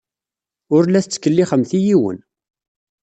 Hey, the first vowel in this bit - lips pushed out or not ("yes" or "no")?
yes